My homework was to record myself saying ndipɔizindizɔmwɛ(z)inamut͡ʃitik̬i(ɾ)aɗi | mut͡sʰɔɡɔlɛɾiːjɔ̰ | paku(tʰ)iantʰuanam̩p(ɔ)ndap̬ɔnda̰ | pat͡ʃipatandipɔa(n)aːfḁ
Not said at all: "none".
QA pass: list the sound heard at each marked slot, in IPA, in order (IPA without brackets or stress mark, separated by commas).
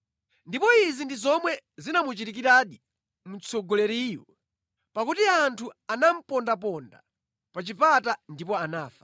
z, ɾ, t, ɔ, n